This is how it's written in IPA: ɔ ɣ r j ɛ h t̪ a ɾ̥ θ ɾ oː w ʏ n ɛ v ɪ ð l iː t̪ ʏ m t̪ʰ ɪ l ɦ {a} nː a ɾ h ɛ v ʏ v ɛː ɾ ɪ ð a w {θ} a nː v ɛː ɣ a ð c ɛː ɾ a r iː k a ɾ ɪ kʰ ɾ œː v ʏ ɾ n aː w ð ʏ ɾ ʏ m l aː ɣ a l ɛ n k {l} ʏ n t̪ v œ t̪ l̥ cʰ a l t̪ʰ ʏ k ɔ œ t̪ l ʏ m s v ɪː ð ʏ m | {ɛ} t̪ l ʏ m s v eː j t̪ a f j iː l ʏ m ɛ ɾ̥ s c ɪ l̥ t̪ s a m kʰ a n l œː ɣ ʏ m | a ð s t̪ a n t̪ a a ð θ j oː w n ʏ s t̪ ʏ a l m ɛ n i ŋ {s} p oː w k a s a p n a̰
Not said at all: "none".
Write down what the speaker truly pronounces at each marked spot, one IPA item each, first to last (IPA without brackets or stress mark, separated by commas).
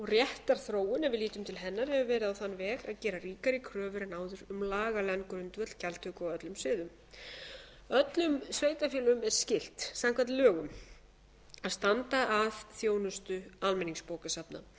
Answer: ɛ, θ, ɾ, œ, s